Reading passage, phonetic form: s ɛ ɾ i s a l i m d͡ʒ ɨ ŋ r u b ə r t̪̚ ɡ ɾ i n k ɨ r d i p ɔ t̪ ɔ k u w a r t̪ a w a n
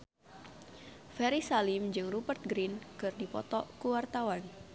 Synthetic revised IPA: f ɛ ɾ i s a l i m d͡ʒ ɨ ŋ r u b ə r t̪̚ ɡ ɾ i n k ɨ r d i p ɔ t̪ ɔ k u w a r t̪ a w a n